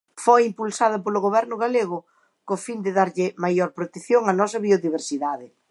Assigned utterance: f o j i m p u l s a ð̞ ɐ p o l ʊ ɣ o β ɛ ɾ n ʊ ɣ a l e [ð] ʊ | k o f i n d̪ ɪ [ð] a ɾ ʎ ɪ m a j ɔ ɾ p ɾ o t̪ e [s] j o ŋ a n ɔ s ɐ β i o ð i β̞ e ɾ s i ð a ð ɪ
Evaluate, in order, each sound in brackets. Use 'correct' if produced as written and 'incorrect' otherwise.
incorrect, correct, incorrect

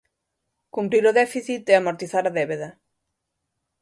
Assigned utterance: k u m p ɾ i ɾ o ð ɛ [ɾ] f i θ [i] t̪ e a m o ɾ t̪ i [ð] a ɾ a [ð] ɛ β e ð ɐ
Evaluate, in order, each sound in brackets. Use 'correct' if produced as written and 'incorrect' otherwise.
incorrect, correct, incorrect, correct

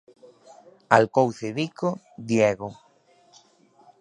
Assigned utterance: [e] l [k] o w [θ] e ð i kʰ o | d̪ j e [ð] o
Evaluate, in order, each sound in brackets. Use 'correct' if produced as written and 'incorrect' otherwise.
incorrect, correct, correct, incorrect

